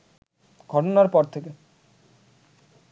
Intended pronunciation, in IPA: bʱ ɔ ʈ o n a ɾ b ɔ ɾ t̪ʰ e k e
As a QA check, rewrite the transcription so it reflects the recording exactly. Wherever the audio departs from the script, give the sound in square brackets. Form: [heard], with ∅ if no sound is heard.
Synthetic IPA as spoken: [ɡʱ] ɔ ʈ o n a ɾ [p] ɔ ɾ t̪ʰ e k e